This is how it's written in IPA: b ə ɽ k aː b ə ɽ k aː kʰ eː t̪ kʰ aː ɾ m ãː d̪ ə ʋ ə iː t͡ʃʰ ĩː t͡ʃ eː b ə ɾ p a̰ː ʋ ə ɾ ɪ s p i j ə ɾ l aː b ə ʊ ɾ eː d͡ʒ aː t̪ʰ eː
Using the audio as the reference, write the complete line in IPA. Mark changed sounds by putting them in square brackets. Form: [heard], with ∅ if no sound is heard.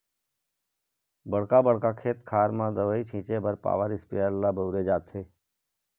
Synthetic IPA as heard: b ə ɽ k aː b ə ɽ k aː kʰ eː t̪ kʰ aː ɾ m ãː d̪ ə ʋ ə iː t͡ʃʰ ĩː t͡ʃ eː b ə ɾ p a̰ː ʋ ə ɾ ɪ s p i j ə ɾ l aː b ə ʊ ɾ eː d͡ʒ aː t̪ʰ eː